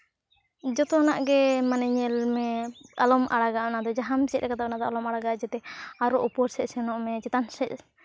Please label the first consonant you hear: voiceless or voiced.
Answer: voiced